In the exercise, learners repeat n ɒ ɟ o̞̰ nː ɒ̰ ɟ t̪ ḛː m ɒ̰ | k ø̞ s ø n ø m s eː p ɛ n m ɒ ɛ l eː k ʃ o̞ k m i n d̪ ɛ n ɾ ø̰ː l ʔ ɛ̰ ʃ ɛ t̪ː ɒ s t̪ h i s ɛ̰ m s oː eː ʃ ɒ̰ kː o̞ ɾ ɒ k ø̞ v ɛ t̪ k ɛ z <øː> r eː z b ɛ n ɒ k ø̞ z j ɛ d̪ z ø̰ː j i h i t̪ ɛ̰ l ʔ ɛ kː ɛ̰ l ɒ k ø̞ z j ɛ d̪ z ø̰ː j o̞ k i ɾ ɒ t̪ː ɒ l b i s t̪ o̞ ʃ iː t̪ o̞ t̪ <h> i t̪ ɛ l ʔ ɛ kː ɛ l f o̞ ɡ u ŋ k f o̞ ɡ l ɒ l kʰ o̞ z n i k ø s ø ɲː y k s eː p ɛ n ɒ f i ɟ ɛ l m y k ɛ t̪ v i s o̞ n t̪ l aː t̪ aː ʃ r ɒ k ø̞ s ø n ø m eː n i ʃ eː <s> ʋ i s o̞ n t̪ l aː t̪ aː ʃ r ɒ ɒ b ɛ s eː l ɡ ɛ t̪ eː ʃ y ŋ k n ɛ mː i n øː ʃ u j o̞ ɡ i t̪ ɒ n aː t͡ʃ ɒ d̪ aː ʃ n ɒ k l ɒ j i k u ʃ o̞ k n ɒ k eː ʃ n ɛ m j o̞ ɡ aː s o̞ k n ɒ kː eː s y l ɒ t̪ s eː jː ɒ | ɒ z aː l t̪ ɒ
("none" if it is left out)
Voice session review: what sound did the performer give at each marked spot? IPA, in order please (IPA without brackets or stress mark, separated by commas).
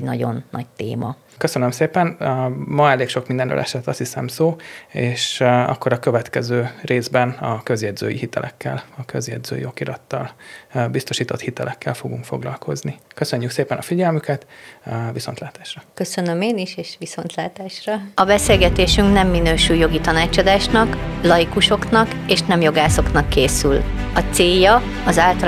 øː, h, ʃ